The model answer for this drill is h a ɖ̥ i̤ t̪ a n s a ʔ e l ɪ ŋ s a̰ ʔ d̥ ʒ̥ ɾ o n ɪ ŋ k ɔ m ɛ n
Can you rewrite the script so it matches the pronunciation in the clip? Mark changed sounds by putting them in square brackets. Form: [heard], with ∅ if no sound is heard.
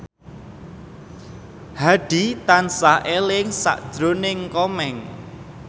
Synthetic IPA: h a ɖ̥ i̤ t̪ a n s a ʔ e l ɪ ŋ s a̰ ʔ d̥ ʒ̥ ɾ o n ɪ ŋ k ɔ m ɛ [ŋ]